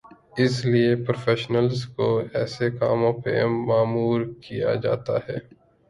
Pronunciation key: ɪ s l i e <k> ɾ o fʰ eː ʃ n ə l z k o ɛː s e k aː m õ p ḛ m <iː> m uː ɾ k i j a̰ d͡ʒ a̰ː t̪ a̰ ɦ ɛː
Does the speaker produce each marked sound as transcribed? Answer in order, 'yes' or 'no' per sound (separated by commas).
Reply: no, no